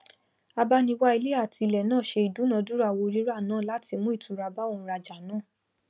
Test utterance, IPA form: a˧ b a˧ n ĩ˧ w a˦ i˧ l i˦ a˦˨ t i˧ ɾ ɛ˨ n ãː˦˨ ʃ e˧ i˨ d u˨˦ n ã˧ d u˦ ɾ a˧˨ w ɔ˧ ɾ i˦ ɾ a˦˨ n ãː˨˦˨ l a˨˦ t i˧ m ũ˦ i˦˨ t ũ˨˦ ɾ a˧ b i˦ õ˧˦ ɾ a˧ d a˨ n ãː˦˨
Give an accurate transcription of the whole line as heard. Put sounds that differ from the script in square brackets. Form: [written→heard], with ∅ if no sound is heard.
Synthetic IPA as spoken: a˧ b a˧ n ĩ˧ w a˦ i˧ l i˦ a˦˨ t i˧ [ɾ→l] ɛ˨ n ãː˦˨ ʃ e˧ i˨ d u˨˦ n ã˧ d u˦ ɾ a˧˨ w [ɔ˧→o˧] ɾ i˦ ɾ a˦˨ n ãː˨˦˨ l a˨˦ t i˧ m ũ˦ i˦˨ t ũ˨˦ ɾ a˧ b [i˦→a˦] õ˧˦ ɾ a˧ [d→d͡ʒ] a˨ n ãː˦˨

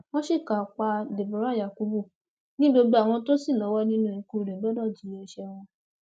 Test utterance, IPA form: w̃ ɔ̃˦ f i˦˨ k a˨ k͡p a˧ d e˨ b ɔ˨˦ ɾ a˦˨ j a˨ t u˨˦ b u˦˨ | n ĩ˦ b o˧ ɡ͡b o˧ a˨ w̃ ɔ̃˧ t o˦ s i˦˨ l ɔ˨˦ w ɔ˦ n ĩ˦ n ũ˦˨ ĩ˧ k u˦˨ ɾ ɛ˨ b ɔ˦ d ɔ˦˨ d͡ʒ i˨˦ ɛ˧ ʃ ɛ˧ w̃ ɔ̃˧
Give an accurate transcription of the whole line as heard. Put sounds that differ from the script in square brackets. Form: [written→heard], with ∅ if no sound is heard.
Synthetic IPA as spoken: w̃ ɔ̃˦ [f→ʃ] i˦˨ k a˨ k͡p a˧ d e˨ b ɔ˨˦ ɾ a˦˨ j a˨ [t→k] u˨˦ b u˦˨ | n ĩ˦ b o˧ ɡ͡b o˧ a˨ w̃ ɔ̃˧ t o˦ s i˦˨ l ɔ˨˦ w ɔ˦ n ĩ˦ n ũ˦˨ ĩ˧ k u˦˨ ɾ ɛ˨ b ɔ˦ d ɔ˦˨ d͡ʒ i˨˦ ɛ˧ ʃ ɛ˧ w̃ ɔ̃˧

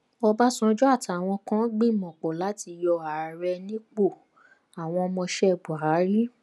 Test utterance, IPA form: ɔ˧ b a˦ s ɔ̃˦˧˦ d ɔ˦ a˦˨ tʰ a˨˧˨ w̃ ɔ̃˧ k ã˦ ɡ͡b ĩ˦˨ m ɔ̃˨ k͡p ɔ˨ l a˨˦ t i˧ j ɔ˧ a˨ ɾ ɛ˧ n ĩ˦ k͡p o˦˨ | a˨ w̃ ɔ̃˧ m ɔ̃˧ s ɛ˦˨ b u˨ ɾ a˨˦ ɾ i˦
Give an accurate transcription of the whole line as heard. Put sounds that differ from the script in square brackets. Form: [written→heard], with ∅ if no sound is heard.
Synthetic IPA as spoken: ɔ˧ b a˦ s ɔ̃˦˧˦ [d→d͡ʒ] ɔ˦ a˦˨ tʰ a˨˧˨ w̃ ɔ̃˧ k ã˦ ɡ͡b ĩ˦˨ m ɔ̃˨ k͡p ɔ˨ l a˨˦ t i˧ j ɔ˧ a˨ ɾ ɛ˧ n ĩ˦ k͡p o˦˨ | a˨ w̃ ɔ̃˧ m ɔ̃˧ [s→ʃ] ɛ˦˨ b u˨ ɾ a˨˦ ɾ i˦

